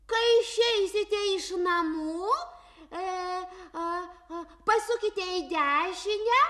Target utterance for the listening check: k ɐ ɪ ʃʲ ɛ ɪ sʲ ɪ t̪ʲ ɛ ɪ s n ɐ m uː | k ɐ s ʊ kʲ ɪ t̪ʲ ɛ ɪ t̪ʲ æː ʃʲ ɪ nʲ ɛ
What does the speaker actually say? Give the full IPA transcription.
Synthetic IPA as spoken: k ɐ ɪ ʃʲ ɛ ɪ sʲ ɪ t̪ʲ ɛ ɪ ʃ n ɐ m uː | p ɐ s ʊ kʲ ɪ t̪ʲ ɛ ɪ d̪ʲ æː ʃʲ ɪ nʲ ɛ